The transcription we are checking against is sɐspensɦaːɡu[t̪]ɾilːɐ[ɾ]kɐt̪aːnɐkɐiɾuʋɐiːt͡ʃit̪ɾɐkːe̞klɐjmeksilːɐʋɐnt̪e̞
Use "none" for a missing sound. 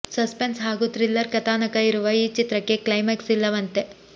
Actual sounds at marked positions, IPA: t̪, ɾ

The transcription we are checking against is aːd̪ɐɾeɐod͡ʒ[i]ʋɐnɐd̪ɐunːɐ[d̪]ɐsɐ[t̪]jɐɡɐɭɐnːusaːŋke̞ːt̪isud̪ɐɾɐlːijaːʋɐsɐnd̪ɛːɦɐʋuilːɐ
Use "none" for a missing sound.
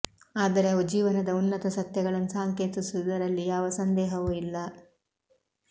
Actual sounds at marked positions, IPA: iː, t̪, t̪

